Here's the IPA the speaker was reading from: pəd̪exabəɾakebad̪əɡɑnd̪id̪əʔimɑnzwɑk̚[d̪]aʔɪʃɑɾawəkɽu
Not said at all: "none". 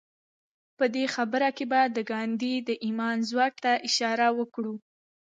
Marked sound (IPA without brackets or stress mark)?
t̪